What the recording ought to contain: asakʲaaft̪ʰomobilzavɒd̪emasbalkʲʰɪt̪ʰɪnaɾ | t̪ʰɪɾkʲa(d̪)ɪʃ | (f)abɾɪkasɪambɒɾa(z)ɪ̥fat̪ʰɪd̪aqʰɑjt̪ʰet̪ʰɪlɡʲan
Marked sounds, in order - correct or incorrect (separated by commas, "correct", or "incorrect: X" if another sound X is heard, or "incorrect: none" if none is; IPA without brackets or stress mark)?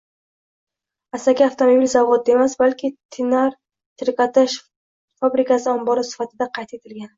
incorrect: t̪, correct, incorrect: s